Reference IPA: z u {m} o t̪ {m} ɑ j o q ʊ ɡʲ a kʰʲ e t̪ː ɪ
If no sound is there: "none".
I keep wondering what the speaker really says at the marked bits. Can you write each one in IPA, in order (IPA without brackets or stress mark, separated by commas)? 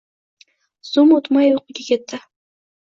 m, m